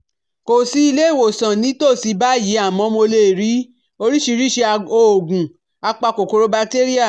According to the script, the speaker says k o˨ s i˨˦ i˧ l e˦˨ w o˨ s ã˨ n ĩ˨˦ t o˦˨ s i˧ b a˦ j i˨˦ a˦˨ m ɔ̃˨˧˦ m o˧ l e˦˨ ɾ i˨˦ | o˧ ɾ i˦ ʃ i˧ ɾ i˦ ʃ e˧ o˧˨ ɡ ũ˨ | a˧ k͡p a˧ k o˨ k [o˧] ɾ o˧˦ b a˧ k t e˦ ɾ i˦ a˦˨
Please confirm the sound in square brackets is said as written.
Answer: yes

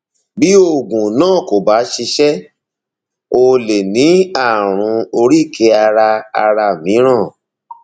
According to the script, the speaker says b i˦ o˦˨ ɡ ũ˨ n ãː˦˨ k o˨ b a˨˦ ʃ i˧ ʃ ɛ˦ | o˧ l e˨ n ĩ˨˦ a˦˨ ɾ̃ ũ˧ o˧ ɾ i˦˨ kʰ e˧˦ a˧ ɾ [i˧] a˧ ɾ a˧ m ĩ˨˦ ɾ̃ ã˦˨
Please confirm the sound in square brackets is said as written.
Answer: no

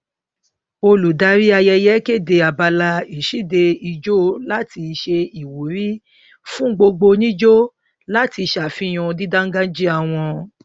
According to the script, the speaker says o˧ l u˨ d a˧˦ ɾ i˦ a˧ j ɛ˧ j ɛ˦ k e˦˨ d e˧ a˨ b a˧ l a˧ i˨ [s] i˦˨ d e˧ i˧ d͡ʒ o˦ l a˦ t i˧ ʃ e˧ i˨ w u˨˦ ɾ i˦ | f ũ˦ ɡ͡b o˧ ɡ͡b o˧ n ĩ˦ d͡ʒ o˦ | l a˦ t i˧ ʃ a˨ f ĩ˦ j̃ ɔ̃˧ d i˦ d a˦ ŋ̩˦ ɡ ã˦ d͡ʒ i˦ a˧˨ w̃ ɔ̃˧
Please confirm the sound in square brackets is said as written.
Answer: no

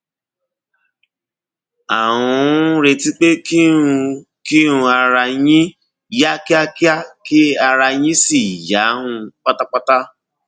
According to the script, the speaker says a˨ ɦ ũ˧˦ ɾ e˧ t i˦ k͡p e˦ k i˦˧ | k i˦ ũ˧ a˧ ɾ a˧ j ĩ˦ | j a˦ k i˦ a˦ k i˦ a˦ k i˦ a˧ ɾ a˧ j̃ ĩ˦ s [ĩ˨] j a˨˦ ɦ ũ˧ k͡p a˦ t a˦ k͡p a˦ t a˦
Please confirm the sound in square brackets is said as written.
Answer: no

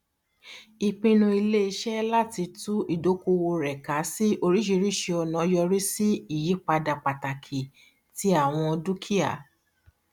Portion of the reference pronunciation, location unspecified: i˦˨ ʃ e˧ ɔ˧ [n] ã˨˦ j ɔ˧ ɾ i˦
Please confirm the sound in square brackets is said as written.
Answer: yes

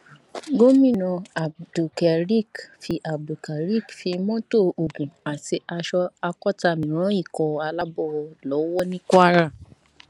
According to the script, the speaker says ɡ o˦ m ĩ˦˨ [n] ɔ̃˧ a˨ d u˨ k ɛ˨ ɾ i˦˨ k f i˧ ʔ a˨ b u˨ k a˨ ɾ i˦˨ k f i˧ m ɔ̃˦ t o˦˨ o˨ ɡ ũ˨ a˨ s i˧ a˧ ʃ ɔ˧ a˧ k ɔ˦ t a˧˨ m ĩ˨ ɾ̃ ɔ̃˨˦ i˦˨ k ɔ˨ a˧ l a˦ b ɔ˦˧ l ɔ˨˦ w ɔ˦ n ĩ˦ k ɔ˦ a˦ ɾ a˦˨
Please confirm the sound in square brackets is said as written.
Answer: yes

